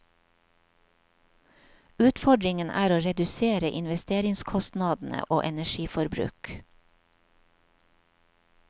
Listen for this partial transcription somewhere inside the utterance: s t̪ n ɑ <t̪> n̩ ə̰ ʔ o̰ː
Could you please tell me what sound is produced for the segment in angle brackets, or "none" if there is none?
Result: d̪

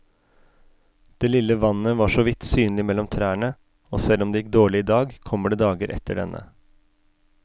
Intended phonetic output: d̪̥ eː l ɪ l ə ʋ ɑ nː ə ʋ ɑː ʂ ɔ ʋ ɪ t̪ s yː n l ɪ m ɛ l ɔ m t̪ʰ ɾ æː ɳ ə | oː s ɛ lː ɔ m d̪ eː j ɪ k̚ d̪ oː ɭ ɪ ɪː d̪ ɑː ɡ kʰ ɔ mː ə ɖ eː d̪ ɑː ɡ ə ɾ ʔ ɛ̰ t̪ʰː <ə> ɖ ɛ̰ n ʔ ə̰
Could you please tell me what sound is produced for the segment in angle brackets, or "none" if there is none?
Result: ə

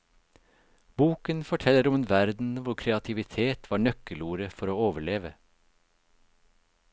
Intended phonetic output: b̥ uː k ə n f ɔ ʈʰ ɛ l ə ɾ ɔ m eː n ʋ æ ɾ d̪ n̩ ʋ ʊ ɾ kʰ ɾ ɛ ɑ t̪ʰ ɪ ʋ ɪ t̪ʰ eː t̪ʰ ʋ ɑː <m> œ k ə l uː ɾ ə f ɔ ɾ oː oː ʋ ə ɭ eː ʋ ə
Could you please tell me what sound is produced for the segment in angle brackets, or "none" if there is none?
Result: ɳ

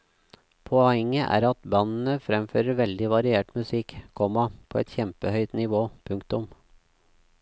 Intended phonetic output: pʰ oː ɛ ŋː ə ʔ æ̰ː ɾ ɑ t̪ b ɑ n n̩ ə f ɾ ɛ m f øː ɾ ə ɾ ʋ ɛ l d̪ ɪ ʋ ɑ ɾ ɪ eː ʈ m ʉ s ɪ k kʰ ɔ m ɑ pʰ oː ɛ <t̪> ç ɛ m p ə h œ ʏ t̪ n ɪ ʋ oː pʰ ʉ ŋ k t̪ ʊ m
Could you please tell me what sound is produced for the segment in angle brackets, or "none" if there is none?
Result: t̪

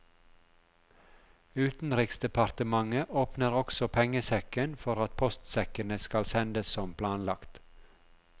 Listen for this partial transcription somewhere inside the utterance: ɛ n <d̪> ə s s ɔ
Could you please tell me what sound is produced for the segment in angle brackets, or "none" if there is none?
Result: d̪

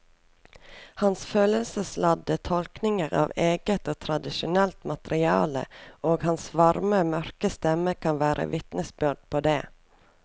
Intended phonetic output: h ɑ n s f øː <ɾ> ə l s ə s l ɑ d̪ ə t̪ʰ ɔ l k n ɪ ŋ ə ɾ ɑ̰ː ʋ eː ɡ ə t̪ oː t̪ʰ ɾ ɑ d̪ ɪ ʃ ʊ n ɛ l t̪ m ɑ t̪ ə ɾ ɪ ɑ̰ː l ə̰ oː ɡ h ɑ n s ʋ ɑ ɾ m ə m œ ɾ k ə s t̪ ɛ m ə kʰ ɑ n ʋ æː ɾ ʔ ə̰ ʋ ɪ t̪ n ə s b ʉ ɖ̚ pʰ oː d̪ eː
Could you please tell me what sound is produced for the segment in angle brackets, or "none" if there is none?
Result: l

